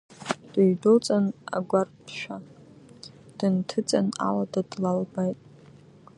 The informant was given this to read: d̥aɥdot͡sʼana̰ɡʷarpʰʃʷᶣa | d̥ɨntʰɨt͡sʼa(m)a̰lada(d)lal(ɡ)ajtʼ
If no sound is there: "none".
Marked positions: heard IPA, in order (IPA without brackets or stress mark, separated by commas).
n, d, b